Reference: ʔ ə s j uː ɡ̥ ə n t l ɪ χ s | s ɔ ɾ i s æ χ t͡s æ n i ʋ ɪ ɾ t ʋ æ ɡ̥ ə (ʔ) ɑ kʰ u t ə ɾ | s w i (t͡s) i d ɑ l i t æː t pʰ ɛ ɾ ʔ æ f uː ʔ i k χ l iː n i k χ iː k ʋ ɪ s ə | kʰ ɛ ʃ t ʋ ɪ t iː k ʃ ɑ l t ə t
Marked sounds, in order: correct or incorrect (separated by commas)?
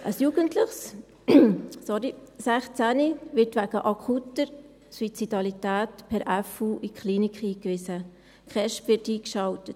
correct, correct